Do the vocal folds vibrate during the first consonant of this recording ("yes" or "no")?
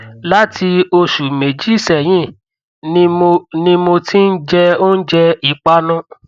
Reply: yes